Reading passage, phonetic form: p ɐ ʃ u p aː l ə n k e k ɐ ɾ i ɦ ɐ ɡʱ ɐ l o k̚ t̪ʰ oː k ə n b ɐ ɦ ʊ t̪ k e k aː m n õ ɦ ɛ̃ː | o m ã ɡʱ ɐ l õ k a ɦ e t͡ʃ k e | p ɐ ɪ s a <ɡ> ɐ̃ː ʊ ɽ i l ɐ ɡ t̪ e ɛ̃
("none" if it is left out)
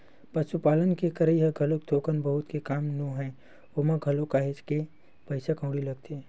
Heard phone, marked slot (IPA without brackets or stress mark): k